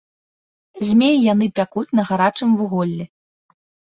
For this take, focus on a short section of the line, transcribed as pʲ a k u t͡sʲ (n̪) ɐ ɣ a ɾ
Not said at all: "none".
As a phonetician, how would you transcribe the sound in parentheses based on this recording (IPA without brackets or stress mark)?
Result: n̪